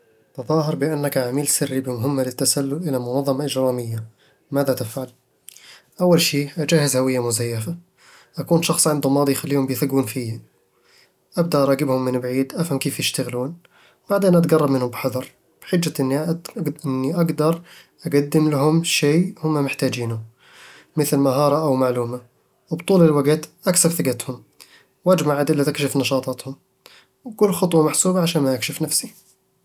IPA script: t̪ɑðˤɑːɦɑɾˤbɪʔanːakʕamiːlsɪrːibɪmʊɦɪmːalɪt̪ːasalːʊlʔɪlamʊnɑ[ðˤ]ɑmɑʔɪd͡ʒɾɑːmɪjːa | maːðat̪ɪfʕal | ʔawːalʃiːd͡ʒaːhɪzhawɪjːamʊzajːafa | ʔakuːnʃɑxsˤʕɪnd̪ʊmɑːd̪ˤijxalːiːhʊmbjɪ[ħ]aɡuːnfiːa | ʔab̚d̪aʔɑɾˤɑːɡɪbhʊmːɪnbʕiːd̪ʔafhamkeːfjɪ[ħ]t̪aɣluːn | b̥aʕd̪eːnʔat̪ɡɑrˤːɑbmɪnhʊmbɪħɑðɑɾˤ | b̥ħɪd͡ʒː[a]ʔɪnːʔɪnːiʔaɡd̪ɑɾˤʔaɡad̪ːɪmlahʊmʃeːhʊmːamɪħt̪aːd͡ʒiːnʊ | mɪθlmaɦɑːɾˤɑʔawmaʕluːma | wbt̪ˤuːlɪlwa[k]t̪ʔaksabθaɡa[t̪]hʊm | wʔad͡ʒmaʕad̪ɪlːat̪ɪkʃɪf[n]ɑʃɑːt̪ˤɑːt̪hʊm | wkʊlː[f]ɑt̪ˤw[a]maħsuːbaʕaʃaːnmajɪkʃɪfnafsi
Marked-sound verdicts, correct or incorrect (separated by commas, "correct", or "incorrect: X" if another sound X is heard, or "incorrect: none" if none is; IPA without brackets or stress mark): incorrect: ðˤː, incorrect: θ, incorrect: ʃ, correct, incorrect: ɡ, correct, correct, incorrect: x, incorrect: ɑ